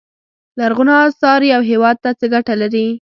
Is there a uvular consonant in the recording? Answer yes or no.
no